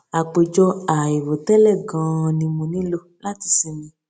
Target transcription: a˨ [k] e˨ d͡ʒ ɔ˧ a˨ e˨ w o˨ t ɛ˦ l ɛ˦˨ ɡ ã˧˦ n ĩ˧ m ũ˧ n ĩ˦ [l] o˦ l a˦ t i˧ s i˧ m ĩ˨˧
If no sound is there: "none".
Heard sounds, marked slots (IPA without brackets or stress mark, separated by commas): k͡p, l